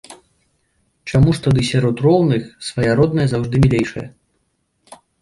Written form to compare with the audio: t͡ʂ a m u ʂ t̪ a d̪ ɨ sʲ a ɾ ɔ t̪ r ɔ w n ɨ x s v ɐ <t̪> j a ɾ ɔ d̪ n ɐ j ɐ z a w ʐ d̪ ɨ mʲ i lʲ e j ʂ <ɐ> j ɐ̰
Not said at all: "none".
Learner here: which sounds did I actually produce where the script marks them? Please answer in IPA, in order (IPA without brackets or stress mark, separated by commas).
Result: none, ɐ